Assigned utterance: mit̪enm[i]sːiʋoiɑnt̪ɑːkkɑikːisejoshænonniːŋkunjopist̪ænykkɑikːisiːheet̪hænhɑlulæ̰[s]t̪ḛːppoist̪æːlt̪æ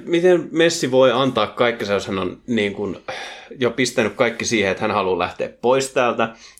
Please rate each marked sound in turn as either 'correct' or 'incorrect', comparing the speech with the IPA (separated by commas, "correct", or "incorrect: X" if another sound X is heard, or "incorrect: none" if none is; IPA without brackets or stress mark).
incorrect: e, incorrect: h